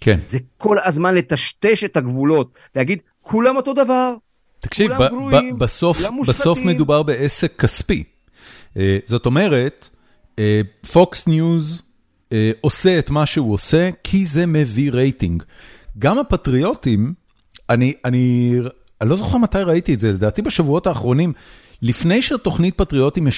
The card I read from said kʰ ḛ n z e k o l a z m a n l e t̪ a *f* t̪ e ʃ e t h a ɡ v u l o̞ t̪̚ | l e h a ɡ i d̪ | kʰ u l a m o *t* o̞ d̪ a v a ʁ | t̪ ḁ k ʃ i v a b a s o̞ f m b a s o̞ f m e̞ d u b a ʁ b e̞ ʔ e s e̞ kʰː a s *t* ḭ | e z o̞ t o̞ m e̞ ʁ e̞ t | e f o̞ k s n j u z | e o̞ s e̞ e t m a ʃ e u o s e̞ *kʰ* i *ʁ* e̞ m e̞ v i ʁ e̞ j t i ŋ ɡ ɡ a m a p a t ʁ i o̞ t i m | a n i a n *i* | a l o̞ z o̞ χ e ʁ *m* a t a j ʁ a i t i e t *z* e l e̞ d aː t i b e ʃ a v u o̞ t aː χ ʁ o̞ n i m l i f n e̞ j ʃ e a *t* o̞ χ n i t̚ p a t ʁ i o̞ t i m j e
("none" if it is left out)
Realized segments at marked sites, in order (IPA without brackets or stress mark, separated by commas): ʃ, t, p, kʰ, z, i, m, z, t